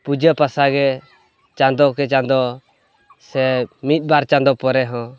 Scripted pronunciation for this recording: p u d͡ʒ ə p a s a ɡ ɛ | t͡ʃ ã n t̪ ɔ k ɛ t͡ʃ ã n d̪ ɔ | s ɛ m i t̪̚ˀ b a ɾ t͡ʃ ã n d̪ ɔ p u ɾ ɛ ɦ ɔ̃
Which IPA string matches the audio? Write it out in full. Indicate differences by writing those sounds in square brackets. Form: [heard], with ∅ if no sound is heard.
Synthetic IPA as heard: p u d͡ʒ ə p a s a ɡ ɛ | t͡ʃ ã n [d̪] ɔ k ɛ t͡ʃ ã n d̪ ɔ | s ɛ m i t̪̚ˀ b a ɾ t͡ʃ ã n d̪ ɔ p [ɔ] ɾ ɛ ɦ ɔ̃